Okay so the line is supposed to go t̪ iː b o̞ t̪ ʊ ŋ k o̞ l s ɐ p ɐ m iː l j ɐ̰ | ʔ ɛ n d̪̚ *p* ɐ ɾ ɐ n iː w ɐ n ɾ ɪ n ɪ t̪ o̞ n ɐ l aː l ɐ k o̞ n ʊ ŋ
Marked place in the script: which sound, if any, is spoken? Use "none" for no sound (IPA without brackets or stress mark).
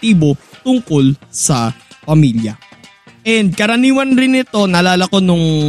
k